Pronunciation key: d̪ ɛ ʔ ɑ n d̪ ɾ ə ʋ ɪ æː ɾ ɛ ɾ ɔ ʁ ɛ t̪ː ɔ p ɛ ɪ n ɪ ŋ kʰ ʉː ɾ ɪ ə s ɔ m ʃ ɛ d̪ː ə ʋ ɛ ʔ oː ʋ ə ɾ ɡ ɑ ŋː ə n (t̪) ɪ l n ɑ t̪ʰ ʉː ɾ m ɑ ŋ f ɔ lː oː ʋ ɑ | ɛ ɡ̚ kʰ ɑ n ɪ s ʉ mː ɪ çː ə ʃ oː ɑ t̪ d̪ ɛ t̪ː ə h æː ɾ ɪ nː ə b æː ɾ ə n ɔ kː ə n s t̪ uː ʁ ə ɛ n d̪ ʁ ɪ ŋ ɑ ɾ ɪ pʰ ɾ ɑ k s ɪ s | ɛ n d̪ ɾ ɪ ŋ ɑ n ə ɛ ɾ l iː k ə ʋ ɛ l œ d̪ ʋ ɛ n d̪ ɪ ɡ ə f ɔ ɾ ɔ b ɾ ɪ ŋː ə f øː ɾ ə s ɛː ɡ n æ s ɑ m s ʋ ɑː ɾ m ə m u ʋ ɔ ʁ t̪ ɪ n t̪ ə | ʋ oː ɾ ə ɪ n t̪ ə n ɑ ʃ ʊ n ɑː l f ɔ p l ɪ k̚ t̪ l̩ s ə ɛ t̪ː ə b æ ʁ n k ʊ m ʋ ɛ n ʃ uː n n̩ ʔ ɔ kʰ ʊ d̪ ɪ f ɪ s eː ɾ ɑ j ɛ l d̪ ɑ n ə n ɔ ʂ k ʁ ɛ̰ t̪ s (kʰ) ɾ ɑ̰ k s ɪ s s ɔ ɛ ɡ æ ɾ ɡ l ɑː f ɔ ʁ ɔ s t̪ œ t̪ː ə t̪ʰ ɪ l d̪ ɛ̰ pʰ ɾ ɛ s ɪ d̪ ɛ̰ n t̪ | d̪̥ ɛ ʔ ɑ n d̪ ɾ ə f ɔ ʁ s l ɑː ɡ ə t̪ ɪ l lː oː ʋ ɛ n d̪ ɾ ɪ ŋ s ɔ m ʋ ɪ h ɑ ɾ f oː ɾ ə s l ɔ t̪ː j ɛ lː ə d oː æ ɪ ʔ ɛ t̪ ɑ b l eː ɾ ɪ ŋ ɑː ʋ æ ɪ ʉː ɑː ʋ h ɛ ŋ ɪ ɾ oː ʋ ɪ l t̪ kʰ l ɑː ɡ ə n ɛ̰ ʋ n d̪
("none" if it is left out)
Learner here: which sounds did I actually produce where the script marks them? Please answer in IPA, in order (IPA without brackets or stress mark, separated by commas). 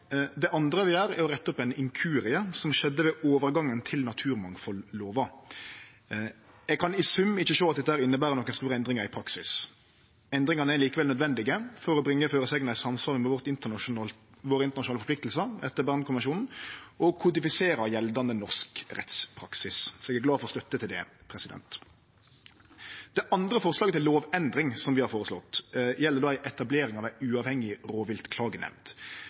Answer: t̪ʰ, pʰ